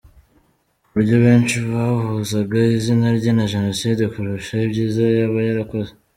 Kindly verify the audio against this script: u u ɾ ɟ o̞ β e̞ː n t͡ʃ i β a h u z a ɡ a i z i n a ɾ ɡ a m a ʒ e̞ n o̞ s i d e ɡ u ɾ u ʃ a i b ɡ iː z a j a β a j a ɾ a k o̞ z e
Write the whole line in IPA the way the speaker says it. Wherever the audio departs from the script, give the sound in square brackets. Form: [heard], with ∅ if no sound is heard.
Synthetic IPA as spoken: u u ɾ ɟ o̞ β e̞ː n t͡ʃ i β a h u z a ɡ a i z i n a ɾ [ɟ] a [n] a ʒ e̞ n o̞ s i d e [k] u ɾ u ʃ a i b [ɟ] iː z a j a β a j a ɾ a k o̞ z e

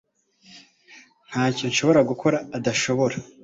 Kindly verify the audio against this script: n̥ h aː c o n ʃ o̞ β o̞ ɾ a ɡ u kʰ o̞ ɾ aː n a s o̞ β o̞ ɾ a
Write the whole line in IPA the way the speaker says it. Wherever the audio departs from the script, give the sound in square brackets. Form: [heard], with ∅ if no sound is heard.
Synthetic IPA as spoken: n̥ h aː c o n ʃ o̞ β o̞ ɾ a ɡ u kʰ o̞ ɾ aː [d] a [ʃ] o̞ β o̞ ɾ a

